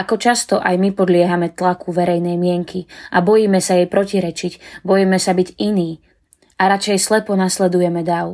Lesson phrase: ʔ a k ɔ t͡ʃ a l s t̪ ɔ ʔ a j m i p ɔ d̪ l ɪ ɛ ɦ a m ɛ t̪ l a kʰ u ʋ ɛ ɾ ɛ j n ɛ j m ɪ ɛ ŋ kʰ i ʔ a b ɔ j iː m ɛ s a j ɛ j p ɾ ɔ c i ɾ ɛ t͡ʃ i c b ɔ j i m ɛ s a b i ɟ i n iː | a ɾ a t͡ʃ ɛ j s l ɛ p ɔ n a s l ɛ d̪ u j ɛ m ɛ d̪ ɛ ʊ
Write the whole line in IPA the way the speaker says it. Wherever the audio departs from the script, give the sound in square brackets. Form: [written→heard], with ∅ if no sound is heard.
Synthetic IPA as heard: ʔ a k ɔ t͡ʃ a [l→∅] s t̪ ɔ ʔ a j m i p ɔ d̪ l ɪ ɛ ɦ a m ɛ t̪ l a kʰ u ʋ ɛ ɾ ɛ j n ɛ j m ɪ ɛ ŋ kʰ i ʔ a b ɔ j iː m ɛ s a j ɛ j p ɾ ɔ c i ɾ ɛ t͡ʃ i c b ɔ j i m ɛ s a b i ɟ i n iː | a ɾ a t͡ʃ ɛ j s l ɛ p ɔ n a s l ɛ d̪ u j ɛ m ɛ d̪ [ɛ→a] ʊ